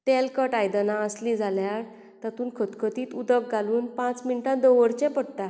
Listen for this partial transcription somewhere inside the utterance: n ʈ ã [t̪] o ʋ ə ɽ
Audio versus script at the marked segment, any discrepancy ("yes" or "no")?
yes